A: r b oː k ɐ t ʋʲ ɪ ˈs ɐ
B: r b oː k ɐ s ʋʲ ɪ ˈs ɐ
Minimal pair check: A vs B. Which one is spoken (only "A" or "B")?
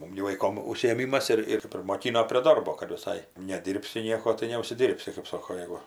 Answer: A